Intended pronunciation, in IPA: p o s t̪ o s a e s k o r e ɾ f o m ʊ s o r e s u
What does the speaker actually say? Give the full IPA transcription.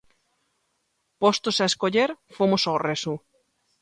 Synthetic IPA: p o s t̪ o s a e s k o ʎ e ɾ f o m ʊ s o r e s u